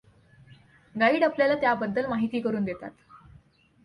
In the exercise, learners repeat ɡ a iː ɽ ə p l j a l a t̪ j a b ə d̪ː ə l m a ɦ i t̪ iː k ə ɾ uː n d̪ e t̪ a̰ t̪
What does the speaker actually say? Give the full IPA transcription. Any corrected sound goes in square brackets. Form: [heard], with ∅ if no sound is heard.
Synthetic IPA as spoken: ɡ a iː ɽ [a] p l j a l a t̪ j a b ə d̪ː ə l m a ɦ i t̪ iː k ə ɾ uː n d̪ e t̪ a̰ t̪